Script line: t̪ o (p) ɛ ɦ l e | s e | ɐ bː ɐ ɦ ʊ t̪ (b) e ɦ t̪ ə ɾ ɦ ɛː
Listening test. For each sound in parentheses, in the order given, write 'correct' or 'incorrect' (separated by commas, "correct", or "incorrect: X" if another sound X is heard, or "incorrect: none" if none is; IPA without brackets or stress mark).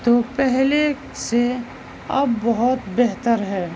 correct, correct